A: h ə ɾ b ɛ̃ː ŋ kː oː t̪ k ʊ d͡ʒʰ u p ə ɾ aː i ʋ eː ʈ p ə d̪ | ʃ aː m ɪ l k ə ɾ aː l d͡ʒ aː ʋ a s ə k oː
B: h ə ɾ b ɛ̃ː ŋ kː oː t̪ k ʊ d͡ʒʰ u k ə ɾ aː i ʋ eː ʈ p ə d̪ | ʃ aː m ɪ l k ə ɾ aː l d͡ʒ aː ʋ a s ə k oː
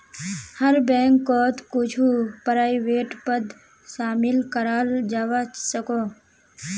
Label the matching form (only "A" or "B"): A